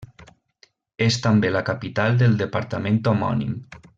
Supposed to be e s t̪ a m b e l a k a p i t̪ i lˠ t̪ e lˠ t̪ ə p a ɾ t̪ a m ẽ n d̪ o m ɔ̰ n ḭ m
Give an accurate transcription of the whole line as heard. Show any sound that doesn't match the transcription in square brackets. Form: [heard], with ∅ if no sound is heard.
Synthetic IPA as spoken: e s t̪ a m b e l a k a p i t̪ [a] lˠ [d̪] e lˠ [d̪] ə p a ɾ t̪ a m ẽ n [t̪] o m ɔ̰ n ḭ m